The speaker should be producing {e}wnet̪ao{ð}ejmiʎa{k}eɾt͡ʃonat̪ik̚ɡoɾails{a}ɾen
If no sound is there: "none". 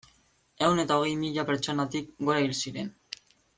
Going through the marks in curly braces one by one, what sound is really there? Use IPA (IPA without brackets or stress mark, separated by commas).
e, ɣ, p, i